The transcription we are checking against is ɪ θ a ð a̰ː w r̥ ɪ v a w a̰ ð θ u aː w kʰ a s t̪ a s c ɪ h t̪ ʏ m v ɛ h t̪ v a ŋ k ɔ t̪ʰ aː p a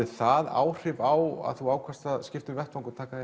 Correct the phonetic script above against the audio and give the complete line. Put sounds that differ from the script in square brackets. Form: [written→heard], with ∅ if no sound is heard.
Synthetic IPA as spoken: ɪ θ a ð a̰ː w r̥ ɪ v a w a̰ ð θ u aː w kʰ a s t̪ a s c ɪ [h→f] t̪ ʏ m v ɛ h t̪ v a ŋ k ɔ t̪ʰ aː [p→k] a